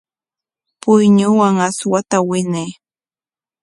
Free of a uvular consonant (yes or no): yes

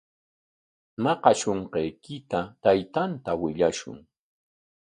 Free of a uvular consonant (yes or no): no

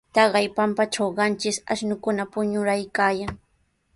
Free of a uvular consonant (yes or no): no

